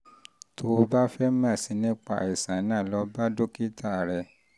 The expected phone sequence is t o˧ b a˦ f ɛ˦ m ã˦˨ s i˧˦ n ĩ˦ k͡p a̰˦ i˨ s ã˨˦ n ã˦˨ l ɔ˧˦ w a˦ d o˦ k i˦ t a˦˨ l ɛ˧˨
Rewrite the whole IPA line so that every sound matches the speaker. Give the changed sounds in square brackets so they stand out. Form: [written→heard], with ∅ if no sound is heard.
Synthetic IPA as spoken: t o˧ b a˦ f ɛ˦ m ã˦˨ s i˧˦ n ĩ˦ k͡p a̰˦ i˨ s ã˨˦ n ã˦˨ l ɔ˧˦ [w→b] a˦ d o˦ k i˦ t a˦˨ [l→ɾ] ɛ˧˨